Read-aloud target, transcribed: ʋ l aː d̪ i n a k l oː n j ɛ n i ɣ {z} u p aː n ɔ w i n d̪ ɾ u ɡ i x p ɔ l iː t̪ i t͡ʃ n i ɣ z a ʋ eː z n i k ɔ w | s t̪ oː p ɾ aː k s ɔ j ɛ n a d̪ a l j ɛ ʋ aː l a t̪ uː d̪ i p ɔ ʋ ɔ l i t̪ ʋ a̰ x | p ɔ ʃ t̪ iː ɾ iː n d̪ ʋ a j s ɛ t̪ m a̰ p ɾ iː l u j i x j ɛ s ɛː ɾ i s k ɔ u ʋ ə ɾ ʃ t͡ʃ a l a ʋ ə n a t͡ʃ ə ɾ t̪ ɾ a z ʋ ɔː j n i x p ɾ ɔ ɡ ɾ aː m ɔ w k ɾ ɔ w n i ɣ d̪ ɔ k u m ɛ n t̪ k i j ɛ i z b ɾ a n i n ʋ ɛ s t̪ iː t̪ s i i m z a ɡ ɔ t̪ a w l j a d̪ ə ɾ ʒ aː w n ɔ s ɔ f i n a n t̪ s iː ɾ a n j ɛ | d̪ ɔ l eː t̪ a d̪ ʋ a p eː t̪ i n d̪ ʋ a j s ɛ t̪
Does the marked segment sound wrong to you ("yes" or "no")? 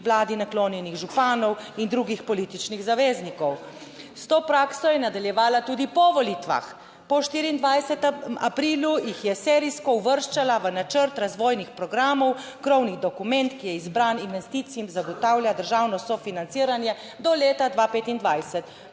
yes